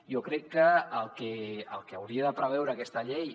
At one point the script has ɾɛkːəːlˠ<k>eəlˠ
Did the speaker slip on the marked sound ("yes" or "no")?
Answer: no